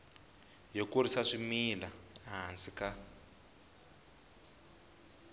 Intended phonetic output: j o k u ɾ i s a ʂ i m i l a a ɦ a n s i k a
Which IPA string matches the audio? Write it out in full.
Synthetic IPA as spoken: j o k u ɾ i s a ʂ i m i l a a ɦ a n s i k a

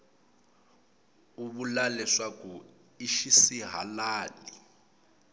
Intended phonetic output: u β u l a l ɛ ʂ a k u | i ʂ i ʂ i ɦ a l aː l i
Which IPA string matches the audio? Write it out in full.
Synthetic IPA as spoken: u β u l a l ɛ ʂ a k u | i ʃ i s i ɦ a l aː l i

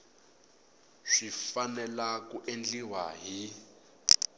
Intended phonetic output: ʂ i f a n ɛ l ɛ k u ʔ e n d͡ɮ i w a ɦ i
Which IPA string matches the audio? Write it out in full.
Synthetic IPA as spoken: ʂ i f a n ɛ l a k u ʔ e n d͡ɮ i w a ɦ i

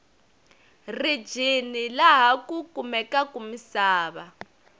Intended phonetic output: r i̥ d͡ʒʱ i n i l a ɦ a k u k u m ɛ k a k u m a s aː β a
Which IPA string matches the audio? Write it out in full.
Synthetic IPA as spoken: r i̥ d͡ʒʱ i n i l a ɦ a k u k u m ɛ k a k u m i s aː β a

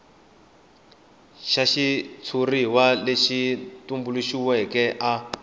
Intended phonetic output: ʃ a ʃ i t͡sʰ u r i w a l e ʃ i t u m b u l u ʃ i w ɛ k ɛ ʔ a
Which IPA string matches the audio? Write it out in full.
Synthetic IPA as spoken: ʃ a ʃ i t͡sʰ u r i w a l e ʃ i t u m b u l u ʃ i w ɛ k ɛ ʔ a

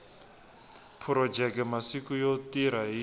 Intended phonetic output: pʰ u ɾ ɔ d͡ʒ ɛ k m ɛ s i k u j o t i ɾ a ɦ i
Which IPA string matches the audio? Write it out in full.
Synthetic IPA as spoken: pʰ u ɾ ɔ d͡ʒ ɛ k m a s i k u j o t i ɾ a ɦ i

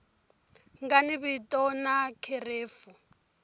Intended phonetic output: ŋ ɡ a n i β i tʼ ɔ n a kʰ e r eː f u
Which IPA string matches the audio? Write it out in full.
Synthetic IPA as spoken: ŋ ɡ a n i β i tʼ ɔ n a kʰ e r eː f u

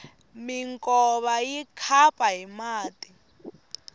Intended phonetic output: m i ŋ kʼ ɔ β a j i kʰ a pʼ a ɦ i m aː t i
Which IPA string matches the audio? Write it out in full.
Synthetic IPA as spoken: m i ŋ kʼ ɔ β a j i kʰ a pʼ a ɦ i m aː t i

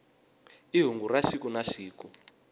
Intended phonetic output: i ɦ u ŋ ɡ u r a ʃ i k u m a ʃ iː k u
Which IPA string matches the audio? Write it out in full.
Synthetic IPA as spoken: i ɦ u ŋ ɡ u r a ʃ i k u n a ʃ iː k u

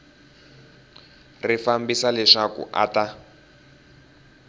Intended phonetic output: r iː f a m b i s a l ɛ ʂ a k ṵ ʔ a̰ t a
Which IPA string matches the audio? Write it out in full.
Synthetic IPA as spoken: r i f a m b i s a l ɛ ʂ a k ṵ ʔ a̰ t a

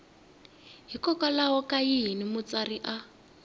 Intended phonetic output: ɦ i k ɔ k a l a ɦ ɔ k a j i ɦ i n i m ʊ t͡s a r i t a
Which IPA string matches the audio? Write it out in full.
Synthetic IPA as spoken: ɦ i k ɔ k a l a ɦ ɔ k a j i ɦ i n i m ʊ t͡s a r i ʔ a

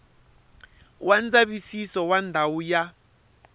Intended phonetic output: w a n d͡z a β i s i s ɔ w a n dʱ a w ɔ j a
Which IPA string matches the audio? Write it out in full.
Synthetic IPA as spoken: w a n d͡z a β i s i s ɔ w a n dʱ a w u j a

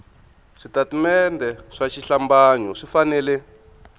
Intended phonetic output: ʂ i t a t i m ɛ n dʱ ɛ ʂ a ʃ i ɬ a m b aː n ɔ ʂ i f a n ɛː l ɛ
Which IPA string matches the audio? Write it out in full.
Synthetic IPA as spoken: ʂ i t a t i m ɛ n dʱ ɛ ʂ a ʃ i ɬ a m b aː ɲ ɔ ʂ i f a n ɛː l ɛ

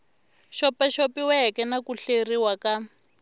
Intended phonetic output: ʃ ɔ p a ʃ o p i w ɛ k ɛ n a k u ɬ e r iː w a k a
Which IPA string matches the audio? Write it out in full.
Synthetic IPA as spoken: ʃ ɔ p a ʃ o p i w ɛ k ɛ n a k u ɬ e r i w a k a

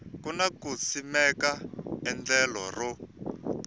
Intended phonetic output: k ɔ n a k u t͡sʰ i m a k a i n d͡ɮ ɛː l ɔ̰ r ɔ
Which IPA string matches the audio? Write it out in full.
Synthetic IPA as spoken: k u n a k u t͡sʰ i m ɛ k a ɛ n d͡ɮ ɛ l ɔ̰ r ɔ

